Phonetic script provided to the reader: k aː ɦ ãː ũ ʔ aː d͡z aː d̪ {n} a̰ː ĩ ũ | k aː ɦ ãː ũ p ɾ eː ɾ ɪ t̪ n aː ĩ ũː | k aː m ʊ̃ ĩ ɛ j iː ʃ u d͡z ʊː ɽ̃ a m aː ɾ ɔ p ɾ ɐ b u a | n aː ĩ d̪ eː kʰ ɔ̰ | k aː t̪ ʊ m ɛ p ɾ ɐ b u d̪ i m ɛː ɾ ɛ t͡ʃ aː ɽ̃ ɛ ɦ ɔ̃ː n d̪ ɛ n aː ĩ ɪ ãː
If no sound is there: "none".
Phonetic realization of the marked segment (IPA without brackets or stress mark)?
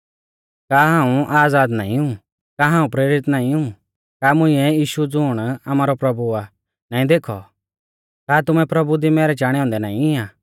n